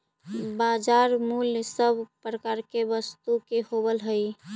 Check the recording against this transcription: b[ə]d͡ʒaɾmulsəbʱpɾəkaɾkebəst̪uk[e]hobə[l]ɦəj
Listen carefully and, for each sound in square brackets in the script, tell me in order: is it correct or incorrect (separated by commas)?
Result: incorrect, correct, correct